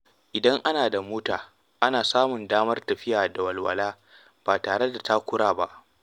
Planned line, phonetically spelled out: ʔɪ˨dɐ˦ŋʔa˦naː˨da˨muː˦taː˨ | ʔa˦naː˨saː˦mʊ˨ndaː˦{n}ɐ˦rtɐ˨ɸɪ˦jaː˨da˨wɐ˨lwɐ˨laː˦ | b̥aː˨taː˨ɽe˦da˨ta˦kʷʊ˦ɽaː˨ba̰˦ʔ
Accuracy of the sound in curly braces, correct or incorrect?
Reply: incorrect: m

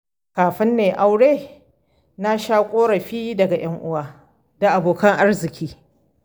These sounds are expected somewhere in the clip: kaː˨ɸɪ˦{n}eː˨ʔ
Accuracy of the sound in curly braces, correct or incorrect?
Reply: incorrect: nː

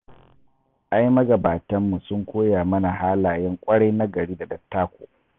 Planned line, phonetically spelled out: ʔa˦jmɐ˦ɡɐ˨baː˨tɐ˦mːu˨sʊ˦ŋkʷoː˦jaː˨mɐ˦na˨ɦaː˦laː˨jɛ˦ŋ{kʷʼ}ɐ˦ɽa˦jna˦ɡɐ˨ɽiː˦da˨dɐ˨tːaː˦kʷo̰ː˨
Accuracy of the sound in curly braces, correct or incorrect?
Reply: correct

